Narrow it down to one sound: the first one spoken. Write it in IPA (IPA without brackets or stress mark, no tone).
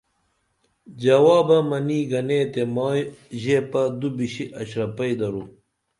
d͡ʑ